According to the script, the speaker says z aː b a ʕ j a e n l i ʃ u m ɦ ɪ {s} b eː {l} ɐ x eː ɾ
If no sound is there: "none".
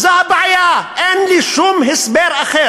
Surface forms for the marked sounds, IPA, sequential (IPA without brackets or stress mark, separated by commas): s, ɾ